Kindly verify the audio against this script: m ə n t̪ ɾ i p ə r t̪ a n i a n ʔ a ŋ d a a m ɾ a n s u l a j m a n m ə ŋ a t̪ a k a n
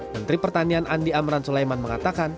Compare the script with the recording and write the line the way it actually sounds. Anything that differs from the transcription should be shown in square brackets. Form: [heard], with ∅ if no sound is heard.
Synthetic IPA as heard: m ə n t̪ ɾ i p ə r t̪ a n i a n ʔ a [n] d [i] a m ɾ a n s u l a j m a n m ə ŋ a t̪ a k a n